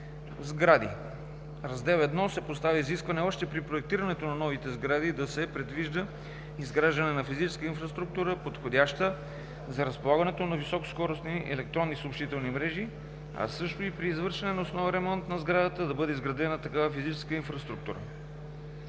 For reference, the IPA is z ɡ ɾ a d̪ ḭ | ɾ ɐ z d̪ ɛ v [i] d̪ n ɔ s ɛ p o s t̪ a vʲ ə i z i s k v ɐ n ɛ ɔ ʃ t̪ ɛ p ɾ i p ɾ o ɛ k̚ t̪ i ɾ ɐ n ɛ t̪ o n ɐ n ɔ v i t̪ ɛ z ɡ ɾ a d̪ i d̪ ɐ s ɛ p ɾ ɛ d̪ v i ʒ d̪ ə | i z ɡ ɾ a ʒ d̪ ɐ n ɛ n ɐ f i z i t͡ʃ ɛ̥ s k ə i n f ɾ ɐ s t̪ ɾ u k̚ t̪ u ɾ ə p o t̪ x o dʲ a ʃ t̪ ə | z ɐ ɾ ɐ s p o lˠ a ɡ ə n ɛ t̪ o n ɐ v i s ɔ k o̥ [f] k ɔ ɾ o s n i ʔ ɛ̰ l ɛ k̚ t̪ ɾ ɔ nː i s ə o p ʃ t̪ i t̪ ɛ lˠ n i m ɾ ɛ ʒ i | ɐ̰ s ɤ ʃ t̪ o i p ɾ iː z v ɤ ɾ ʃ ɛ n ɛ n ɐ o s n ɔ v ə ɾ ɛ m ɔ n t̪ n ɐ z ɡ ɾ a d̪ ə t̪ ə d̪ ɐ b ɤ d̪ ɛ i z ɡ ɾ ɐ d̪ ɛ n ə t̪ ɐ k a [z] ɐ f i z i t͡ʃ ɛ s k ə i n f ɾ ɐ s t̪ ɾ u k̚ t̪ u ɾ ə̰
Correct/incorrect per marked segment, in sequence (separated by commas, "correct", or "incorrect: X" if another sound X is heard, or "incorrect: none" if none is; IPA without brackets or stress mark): incorrect: ɛ, incorrect: s, incorrect: v